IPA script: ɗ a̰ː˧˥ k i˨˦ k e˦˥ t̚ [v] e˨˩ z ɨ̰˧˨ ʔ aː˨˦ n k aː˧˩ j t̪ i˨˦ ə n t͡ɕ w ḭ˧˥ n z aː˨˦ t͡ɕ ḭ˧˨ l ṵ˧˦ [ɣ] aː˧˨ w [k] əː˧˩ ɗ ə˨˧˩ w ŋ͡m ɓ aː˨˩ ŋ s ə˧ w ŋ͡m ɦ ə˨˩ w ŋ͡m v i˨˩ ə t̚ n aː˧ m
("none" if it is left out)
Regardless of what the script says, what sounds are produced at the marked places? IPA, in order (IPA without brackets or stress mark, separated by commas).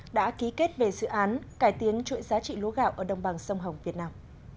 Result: v, ɣ, ʔ